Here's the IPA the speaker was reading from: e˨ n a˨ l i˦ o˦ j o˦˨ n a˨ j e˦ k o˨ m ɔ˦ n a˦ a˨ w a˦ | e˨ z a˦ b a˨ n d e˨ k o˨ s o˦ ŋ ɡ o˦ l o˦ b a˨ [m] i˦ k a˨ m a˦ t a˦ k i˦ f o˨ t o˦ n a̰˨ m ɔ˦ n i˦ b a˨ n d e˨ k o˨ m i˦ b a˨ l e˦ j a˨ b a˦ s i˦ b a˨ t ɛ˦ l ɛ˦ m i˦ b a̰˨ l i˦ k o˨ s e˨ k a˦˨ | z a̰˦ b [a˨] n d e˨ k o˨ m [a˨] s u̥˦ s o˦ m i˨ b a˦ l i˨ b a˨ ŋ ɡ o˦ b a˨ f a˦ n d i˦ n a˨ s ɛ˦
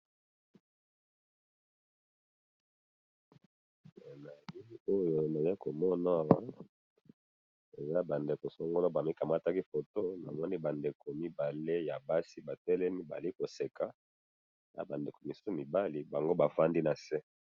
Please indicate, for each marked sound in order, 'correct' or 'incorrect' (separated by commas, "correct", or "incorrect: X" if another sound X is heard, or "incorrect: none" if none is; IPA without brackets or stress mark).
correct, correct, incorrect: i˨